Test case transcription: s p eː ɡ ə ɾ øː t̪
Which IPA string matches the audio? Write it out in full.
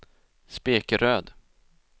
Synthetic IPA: s p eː k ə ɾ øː d̪